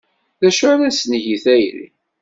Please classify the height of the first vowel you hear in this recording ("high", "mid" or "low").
low